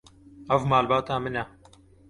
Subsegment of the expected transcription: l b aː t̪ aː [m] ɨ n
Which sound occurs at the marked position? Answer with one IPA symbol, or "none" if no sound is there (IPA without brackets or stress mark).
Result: m